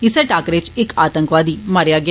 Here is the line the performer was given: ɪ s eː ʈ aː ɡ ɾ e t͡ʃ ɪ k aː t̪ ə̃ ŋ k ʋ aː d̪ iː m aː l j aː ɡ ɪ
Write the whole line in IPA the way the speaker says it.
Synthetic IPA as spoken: ɪ s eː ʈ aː k ɾ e t͡ʃ ɪ k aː t̪ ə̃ ŋ k ʋ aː d̪ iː m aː ɾ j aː ɡ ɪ